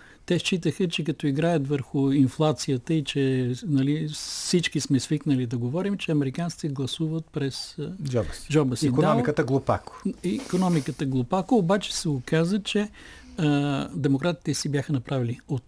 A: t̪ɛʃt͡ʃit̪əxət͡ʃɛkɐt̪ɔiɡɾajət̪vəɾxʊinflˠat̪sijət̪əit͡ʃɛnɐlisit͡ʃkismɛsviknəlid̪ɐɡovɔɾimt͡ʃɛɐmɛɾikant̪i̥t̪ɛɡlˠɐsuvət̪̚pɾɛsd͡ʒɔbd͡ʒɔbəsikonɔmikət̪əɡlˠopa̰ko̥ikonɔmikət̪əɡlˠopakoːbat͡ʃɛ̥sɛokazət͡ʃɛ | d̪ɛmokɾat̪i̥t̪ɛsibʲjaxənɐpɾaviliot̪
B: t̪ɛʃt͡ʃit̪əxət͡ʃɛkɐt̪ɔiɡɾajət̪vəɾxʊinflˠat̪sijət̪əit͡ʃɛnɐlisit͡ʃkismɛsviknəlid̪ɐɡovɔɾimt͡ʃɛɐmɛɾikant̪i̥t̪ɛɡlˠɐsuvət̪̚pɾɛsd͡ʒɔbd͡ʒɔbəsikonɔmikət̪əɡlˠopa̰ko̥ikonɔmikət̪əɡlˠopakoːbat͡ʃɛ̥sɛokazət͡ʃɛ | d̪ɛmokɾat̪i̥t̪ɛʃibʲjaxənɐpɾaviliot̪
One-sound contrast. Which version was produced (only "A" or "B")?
A